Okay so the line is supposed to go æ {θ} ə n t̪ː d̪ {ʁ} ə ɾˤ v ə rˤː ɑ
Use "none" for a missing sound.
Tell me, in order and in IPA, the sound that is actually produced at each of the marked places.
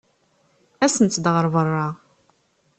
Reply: s, ʁ

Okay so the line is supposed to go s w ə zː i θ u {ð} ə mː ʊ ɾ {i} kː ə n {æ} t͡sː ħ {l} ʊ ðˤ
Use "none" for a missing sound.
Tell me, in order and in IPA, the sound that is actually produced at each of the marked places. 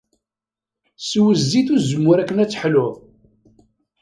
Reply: z, æ, æ, l

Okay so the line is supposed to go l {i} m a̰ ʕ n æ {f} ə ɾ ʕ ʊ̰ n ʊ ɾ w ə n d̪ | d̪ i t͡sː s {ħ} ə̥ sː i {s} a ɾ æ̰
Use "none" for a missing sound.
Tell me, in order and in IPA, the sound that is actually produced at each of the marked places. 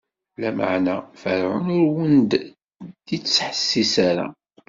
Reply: æ, f, ħ, s

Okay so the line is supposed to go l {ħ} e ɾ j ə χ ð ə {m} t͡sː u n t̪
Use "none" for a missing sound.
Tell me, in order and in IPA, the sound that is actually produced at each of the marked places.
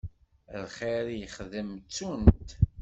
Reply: χ, m

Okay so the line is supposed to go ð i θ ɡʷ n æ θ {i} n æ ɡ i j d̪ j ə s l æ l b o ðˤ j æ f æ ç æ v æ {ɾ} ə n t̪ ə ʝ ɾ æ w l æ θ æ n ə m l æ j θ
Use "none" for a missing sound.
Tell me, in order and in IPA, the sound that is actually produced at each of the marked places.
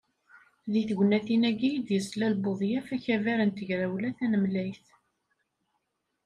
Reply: i, ɾ

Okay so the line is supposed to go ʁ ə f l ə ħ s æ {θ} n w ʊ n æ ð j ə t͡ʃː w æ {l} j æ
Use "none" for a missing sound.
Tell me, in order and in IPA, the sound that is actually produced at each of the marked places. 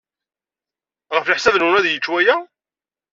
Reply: ð, none

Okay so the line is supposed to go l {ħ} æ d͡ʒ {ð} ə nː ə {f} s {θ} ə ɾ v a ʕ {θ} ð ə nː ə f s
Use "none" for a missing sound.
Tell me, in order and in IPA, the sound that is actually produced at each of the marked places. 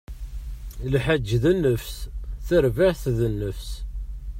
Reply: ħ, ð, f, θ, θ

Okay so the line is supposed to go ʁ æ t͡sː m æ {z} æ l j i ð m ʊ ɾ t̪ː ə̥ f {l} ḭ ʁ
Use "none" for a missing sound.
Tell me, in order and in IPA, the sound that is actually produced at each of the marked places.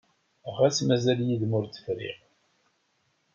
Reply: z, ɾ

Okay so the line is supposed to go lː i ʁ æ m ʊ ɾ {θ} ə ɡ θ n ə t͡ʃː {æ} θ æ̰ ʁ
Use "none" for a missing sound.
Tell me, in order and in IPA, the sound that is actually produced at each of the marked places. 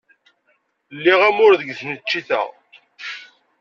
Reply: ð, i

